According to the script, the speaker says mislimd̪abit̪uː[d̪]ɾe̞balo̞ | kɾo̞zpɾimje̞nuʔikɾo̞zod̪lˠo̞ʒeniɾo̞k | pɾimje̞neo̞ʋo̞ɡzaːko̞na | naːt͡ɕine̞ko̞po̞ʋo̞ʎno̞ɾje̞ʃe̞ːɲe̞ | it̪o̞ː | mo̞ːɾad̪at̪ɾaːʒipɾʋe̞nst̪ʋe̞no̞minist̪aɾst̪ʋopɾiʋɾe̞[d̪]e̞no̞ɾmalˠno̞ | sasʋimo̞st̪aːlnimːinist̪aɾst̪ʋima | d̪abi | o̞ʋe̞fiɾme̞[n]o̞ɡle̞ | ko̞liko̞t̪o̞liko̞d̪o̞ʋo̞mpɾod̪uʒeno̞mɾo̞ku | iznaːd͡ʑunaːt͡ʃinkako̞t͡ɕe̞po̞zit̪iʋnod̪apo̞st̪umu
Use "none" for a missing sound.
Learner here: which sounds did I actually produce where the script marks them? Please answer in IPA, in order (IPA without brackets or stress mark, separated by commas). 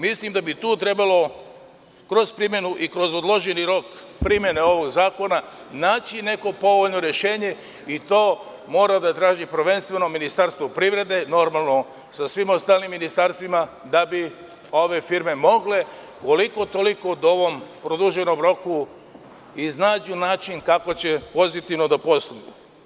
t̪, d̪, m